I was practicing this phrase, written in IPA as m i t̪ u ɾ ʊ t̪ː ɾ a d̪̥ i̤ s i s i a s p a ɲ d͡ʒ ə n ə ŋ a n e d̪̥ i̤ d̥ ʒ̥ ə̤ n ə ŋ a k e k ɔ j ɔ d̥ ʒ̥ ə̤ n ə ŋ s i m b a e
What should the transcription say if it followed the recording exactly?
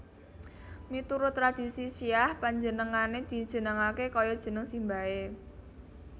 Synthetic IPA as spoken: m i t̪ u ɾ ʊ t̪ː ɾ a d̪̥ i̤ s i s i a h p a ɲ d͡ʒ ə n ə ŋ a n e d̪̥ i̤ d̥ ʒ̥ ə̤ n ə ŋ a k e k ɔ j ɔ d̥ ʒ̥ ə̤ n ə ŋ s i m b a e